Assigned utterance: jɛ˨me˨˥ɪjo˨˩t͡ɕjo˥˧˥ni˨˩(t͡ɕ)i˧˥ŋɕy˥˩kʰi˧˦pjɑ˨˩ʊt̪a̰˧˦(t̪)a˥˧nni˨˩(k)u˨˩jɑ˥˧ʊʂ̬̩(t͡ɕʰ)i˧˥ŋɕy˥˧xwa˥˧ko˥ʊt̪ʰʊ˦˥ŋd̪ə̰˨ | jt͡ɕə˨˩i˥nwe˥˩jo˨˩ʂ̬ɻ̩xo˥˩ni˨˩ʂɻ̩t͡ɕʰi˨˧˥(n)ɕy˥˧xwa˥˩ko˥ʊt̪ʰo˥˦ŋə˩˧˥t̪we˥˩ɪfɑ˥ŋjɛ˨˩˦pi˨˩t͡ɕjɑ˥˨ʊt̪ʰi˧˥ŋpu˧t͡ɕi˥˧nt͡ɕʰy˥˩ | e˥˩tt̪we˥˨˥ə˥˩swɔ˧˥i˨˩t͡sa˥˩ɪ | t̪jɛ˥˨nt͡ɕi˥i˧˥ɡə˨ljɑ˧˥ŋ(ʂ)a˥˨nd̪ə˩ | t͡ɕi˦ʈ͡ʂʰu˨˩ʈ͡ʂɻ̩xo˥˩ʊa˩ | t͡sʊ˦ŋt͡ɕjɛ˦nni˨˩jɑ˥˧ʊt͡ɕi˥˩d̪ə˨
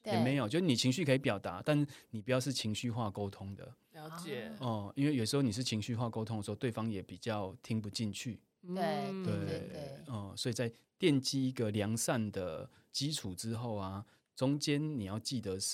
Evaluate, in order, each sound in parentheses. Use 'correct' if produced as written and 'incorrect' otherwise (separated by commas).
incorrect, correct, incorrect, correct, incorrect, incorrect